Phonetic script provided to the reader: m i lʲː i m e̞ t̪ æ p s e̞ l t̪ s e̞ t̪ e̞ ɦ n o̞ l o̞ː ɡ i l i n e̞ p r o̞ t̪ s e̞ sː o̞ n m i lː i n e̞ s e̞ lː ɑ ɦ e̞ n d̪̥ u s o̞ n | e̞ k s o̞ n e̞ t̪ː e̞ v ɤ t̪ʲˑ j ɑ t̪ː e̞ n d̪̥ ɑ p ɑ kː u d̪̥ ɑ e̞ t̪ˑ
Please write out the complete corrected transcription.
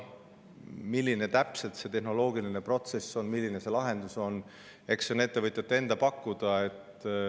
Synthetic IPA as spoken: m i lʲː i n e̞ t̪ æ p s e̞ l t̪ s e̞ t̪ e̞ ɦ n o̞ l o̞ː ɡ i l i n e̞ p r o̞ t̪ s e̞ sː o̞ n m i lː i n e̞ s e̞ l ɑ ɦ e̞ n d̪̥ u s o̞ n | e̞ k s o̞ n e̞ t̪ː e̞ v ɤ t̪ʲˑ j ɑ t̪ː e̞ n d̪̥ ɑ p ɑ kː u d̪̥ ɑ e̞ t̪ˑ